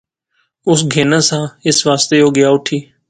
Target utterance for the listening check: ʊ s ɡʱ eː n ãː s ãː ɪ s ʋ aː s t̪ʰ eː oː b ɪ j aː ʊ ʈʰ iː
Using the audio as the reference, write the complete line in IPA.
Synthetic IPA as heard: ʊ s ɡʱ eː n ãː s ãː ɪ s ʋ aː s t̪ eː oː ɡ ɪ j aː ʊ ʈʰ iː